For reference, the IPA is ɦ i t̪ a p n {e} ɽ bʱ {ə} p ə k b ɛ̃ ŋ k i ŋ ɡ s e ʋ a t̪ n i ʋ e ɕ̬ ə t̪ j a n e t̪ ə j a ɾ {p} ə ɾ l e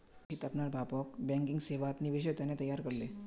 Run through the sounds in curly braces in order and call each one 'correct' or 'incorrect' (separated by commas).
incorrect, incorrect, incorrect